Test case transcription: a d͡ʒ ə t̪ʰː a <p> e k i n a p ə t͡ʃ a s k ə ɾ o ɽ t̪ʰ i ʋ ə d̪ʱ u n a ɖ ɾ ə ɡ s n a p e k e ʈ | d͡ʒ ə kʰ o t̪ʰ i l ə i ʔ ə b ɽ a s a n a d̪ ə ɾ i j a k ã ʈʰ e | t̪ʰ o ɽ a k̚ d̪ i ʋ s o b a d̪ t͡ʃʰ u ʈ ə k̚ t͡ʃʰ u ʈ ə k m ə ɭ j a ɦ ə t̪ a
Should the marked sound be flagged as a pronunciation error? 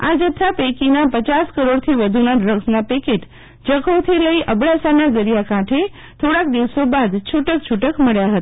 no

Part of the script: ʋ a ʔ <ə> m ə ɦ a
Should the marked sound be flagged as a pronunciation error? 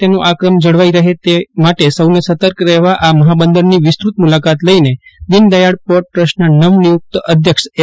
yes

